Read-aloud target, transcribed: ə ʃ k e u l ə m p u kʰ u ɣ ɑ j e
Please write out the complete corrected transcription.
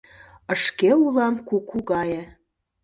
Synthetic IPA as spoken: ə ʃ k e u l ɑ m k u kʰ u ɣ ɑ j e